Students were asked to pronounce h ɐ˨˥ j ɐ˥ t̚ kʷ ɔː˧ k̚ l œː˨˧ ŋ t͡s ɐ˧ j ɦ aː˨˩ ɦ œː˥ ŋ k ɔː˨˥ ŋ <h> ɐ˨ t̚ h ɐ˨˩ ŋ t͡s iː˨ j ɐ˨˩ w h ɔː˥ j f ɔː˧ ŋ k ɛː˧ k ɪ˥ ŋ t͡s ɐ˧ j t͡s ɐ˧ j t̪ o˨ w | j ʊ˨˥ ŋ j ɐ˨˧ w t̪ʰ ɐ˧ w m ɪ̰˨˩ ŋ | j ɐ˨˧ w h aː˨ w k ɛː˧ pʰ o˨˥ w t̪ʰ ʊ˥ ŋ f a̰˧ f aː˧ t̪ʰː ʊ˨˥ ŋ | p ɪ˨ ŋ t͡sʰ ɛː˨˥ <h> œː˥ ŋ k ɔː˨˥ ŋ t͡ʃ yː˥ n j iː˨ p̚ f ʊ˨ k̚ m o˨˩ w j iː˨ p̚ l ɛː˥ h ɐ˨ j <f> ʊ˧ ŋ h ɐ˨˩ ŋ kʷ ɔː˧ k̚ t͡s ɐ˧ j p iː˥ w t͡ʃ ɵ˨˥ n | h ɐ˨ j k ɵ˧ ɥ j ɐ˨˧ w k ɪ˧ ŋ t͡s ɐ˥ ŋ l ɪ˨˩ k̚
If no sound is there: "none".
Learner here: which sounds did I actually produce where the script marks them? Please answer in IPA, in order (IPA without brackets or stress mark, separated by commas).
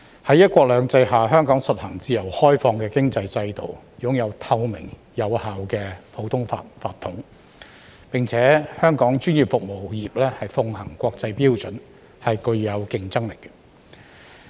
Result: s, h, f